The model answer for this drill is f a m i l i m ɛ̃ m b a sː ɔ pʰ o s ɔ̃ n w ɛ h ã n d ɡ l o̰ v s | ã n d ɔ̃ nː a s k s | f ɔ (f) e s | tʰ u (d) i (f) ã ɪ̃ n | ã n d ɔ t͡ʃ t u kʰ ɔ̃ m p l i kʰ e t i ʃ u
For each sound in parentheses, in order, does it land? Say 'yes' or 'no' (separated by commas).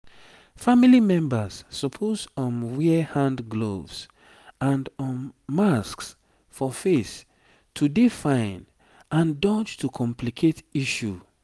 yes, yes, yes